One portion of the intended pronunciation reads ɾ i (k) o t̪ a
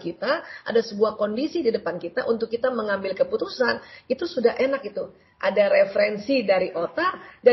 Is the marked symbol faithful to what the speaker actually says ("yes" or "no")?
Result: no